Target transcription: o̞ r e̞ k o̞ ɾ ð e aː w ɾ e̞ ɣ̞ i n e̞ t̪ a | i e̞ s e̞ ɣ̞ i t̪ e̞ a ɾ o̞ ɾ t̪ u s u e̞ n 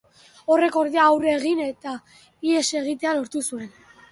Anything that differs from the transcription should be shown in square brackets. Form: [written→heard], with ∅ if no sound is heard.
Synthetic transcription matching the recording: o̞ r e̞ k o̞ ɾ ð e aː w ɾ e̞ ɣ̞ i n e̞ t̪ a | i e̞ s e̞ ɣ̞ i t̪ e̞ a [ɾ→l] o̞ ɾ t̪ u s u e̞ n